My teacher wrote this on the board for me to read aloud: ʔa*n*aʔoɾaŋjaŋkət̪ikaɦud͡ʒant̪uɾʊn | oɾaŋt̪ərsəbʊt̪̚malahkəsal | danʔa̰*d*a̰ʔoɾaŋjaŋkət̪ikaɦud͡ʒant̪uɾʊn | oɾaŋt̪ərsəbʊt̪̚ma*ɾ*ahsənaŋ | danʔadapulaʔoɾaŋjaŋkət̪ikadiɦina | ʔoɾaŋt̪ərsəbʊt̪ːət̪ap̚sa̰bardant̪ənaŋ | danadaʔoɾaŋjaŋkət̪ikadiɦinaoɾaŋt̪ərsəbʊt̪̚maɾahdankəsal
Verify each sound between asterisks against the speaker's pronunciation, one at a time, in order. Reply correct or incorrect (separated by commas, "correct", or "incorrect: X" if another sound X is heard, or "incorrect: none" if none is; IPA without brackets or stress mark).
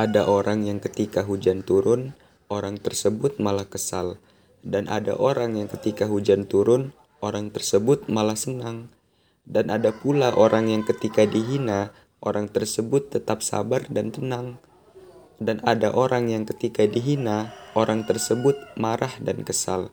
incorrect: d, correct, incorrect: l